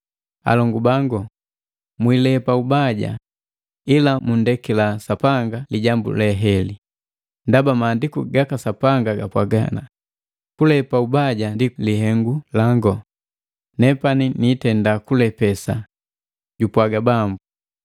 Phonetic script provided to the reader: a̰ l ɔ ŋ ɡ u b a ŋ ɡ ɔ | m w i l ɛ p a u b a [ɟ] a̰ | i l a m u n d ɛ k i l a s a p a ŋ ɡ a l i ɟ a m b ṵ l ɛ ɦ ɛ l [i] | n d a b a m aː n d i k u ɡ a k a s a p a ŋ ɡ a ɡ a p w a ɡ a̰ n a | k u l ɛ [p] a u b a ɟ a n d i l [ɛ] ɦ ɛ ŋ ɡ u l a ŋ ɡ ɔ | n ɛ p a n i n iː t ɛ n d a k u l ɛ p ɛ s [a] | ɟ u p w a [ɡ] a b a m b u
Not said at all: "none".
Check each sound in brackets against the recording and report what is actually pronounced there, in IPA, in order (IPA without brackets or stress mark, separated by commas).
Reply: ɟ, i, p, i, a, ɡ